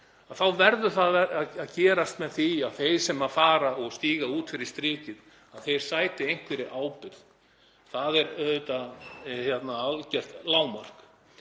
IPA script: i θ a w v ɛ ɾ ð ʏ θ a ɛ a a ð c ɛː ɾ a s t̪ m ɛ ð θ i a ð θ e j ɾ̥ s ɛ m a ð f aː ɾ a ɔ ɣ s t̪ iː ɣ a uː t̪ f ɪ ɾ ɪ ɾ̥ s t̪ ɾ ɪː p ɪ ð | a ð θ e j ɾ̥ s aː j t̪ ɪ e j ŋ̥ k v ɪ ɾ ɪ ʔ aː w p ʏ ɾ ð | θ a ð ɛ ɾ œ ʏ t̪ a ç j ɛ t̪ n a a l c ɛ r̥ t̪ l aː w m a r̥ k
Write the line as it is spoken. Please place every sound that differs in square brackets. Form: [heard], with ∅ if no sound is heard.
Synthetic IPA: [a] θ a w v ɛ ɾ ð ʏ θ a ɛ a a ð c ɛː ɾ a s t̪ m ɛ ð θ i a ð θ e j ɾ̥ s ɛ m a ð f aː ɾ a ɔ ɣ s t̪ iː ɣ a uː t̪ f ɪ ɾ ɪ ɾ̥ s t̪ ɾ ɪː [c] ɪ ð | a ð θ e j ɾ̥ s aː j t̪ ɪ e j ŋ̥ k v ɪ ɾ ɪ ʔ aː w p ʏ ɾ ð | θ a ð ɛ ɾ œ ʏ t̪ a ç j ɛ t̪ n a a l c ɛ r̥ t̪ l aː w m a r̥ k

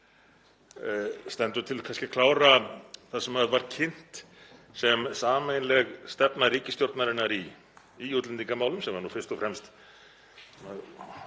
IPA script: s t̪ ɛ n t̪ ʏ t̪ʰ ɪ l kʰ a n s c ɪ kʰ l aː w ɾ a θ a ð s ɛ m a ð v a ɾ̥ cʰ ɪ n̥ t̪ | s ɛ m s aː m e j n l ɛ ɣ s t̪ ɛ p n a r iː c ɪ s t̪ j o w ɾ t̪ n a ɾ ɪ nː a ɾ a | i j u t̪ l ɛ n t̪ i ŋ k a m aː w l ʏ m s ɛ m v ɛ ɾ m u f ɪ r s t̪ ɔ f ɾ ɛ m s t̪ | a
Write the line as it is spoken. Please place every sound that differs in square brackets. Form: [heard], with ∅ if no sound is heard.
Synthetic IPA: s t̪ ɛ n t̪ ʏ t̪ʰ ɪ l kʰ a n s c ɪ kʰ l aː w ɾ a θ a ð s ɛ m a ð v a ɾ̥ cʰ ɪ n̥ t̪ | s ɛ m s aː m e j n l ɛ ɣ s t̪ ɛ p n a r iː c ɪ s t̪ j o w ɾ t̪ n a ɾ ɪ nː a ɾ [i] | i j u t̪ l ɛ n t̪ i ŋ k a m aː w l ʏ m s ɛ m v [a] ɾ [n] u f ɪ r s t̪ ɔ f ɾ ɛ m s t̪ | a

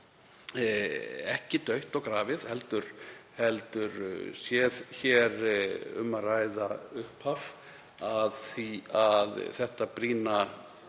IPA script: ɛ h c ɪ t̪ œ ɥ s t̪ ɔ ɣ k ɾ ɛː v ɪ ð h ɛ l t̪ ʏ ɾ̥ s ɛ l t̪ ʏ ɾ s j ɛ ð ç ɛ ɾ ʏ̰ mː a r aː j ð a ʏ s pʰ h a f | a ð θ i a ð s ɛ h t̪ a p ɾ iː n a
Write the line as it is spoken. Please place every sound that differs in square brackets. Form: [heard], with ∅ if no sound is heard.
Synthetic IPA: ɛ h c ɪ t̪ œ ɥ [h] t̪ ɔ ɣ k ɾ [aː] v ɪ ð h ɛ l t̪ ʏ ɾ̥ [h] ɛ l t̪ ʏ ɾ s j ɛ ð ç ɛ ɾ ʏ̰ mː a r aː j ð a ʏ [h] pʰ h a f | a ð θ i a ð [θ] ɛ h t̪ a p ɾ iː n a

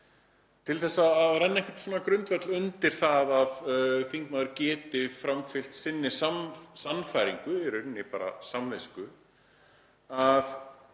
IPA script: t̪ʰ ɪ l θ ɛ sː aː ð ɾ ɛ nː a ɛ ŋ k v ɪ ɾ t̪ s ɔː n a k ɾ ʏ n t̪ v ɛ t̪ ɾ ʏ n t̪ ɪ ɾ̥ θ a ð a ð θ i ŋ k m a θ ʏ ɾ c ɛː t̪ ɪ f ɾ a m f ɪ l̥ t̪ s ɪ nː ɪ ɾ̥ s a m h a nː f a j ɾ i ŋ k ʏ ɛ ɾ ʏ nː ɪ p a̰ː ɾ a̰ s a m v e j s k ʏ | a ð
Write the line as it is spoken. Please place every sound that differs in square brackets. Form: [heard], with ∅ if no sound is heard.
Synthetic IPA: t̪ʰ ɪ l θ ɛ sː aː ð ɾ ɛ nː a ɛ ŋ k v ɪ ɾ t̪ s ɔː n a k ɾ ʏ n t̪ v ɛ t̪ [l] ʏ n t̪ ɪ ɾ̥ θ a ð a ð θ i ŋ k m a [ð] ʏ ɾ c ɛː t̪ ɪ f ɾ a m f ɪ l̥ t̪ s ɪ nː ɪ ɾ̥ s a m [s] a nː f a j ɾ i ŋ k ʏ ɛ ɾ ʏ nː ɪ p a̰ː ɾ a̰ s a m v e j s k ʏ | a ð

